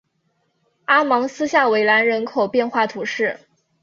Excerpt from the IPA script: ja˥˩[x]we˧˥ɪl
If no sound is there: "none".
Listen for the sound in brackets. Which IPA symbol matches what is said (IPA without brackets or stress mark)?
none